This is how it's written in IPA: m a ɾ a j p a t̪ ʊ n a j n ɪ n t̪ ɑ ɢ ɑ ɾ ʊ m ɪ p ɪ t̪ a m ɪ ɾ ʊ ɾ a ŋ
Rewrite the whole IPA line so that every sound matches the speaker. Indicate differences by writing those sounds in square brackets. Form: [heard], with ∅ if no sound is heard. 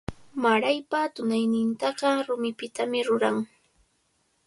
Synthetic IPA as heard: m a ɾ a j p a t̪ ʊ n a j n ɪ n t̪ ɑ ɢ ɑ ɾ ʊ m ɪ p ɪ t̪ a m ɪ ɾ ʊ ɾ a ŋ

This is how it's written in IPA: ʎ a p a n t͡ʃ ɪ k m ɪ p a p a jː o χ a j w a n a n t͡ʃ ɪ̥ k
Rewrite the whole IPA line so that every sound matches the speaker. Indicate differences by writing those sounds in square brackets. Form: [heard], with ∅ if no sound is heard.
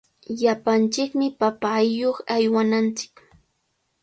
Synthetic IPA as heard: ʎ a p a n t͡ʃ ɪ k m ɪ p a p a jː o χ a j w a n a n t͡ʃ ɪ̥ k

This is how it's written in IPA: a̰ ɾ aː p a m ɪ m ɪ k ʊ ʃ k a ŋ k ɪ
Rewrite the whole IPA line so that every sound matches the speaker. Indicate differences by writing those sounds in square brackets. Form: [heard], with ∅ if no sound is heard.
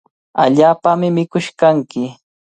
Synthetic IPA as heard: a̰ [ʎ] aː p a m ɪ m ɪ k ʊ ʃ k a ŋ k ɪ

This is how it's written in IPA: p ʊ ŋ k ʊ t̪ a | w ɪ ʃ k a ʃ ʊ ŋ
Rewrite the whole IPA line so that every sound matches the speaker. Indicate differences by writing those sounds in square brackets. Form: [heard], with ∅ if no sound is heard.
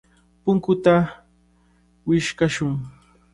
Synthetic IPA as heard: p ʊ ŋ k ʊ t̪ a | w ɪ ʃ k a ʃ ʊ ŋ

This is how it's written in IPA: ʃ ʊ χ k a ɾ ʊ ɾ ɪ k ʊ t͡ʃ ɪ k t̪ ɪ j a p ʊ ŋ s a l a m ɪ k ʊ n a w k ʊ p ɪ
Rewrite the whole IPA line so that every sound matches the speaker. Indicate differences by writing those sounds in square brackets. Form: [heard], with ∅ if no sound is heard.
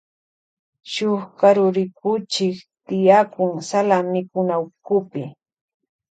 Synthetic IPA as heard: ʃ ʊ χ k a ɾ ʊ ɾ ɪ k ʊ t͡ʃ ɪ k t̪ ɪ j a [k] ʊ ŋ s a l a m ɪ k ʊ n a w k ʊ p ɪ

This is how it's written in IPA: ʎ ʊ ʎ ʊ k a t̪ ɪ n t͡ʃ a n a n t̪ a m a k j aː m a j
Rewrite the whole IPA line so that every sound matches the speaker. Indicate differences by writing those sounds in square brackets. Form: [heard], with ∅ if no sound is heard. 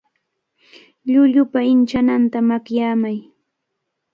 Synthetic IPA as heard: ʎ ʊ ʎ ʊ [p] a [∅] ɪ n t͡ʃ a n a n t̪ a m a k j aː m a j

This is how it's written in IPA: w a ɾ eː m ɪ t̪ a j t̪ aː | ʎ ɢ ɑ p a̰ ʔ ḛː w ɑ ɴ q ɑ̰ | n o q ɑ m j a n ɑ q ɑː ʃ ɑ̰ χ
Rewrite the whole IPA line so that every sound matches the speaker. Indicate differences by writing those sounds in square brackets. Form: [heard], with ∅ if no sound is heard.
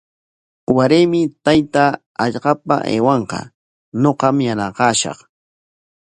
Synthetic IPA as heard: w a ɾ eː m ɪ t̪ a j t̪ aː | ʎ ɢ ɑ p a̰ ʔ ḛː w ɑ ɴ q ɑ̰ | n o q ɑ m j a n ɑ q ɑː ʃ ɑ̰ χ

